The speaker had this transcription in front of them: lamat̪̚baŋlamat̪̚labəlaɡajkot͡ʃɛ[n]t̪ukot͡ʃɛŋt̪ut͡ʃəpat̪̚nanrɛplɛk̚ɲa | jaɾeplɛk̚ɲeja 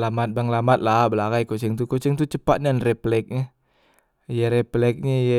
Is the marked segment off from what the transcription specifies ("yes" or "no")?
yes